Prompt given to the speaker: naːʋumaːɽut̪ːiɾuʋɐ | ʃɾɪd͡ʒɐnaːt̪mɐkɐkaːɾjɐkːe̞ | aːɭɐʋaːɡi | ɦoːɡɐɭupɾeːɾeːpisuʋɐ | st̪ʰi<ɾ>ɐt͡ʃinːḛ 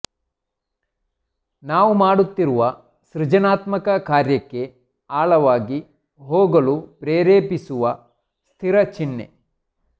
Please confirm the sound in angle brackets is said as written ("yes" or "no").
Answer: yes